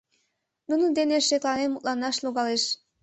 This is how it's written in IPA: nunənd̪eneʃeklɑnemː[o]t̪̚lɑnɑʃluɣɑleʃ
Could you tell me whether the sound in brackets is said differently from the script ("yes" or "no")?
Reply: yes